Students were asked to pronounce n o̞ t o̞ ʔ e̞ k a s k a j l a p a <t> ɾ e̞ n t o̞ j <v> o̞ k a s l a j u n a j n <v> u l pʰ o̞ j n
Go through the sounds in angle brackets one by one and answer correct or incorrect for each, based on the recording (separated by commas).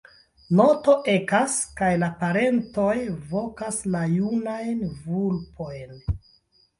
incorrect, correct, correct